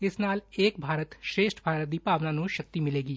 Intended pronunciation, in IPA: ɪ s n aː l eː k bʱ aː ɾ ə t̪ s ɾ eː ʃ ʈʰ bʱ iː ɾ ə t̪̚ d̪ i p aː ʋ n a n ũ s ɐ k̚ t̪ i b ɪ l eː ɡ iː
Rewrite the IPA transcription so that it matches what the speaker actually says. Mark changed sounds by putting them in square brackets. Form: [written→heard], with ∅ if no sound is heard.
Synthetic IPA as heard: ɪ s n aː l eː k bʱ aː ɾ ə t̪ [s→ʃ] ɾ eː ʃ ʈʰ bʱ [iː→aː] ɾ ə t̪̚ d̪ i p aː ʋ n a n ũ [s→ʃ] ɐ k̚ t̪ i [b→m] ɪ l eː ɡ iː